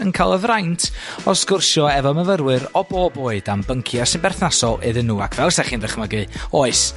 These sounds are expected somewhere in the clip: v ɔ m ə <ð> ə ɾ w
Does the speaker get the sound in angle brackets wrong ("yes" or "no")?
yes